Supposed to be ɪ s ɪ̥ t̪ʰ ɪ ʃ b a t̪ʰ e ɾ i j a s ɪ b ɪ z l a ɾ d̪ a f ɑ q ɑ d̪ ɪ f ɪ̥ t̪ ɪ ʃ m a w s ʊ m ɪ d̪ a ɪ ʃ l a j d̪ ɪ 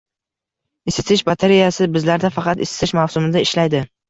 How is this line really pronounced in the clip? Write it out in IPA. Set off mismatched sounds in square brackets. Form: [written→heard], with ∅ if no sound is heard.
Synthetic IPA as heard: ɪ s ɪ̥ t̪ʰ ɪ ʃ b a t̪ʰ e ɾ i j a s ɪ b ɪ z l a ɾ d̪ a f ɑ q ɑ [d̪→t̪] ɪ [f→s] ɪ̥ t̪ ɪ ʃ m a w s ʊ m ɪ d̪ a ɪ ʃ l a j d̪ ɪ